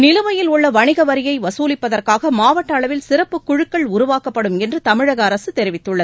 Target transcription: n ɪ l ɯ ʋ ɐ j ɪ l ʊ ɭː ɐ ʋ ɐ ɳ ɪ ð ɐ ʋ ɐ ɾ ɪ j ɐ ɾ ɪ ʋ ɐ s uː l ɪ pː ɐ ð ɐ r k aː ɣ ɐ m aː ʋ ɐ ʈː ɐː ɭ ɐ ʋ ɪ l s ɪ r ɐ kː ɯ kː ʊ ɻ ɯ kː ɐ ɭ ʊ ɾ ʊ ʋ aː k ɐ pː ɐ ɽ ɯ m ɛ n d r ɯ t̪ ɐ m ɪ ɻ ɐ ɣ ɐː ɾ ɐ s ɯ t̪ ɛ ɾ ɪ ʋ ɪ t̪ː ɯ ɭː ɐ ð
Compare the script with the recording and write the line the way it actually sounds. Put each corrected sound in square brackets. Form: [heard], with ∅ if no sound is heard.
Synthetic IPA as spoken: n ɪ l ɯ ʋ ɐ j ɪ l ʊ ɭː ɐ ʋ ɐ ɳ ɪ [ɣ] ɐ ʋ ɐ ɾ ɪ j ɐ [∅] ɪ ʋ ɐ s uː l ɪ pː ɐ ð ɐ r k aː ɣ ɐ m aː ʋ ɐ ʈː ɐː ɭ ɐ ʋ ɪ l s ɪ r ɐ [pː] ɯ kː ʊ ɻ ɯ kː ɐ ɭ ʊ ɾ ʊ ʋ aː k ɐ pː ɐ ɽ ɯ m ɛ n d r ɯ t̪ ɐ m ɪ ɻ ɐ ɣ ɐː ɾ ɐ s ɯ t̪ ɛ ɾ ɪ ʋ ɪ t̪ː ɯ ɭː ɐ ð